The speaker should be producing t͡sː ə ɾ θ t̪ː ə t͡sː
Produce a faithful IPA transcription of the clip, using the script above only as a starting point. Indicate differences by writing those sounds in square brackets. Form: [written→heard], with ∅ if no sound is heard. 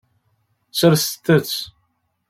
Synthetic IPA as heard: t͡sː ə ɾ [θ→s] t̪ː ə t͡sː